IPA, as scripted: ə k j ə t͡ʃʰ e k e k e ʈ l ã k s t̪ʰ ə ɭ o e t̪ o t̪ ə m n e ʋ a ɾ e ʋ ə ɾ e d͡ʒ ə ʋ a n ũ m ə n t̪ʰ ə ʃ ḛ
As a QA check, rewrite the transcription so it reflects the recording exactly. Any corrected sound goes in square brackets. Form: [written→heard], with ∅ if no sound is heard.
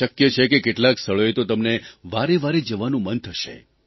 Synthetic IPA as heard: ə k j ə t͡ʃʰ e k e k e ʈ l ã k s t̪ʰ ə ɭ o e t̪ o t̪ ə m n e ʋ a ɾ e ʋ [ə→a] ɾ e d͡ʒ ə ʋ a n ũ m ə n t̪ʰ ə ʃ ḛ